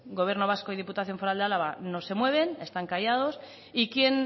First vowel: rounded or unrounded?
rounded